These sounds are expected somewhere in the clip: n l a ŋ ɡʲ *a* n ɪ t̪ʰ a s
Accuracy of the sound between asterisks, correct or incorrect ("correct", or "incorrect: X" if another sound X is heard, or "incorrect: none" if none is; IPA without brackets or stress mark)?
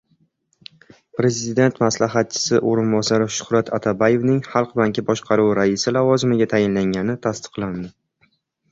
correct